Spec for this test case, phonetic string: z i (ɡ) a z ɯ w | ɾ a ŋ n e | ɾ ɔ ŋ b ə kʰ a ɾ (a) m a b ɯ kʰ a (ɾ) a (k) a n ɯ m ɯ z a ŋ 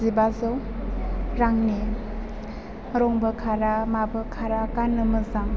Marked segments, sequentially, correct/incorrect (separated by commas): incorrect, correct, correct, correct